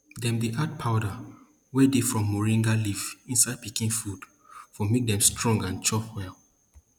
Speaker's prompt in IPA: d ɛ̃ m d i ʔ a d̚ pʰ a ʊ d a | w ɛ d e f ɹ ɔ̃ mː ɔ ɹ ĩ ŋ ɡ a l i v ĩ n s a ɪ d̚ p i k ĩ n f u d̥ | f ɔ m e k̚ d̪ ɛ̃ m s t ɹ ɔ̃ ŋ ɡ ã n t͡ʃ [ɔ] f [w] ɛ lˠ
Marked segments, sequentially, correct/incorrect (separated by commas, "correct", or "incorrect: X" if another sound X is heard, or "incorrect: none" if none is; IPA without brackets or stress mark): correct, correct